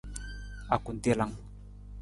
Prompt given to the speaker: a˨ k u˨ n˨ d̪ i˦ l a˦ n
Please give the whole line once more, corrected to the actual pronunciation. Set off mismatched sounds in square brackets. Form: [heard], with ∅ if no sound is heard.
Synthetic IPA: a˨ k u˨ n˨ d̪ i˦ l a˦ [ŋ]